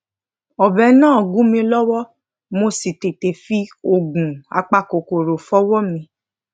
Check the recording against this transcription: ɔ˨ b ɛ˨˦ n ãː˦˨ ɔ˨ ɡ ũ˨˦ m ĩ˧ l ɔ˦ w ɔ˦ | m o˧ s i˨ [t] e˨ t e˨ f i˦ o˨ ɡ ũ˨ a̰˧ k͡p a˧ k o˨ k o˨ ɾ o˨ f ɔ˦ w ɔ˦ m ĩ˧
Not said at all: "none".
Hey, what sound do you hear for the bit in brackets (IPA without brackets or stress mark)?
t